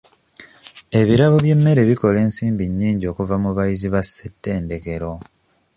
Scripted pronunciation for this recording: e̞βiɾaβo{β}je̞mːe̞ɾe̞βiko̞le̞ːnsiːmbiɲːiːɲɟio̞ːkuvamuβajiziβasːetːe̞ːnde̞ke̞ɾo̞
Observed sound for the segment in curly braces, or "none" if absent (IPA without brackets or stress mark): β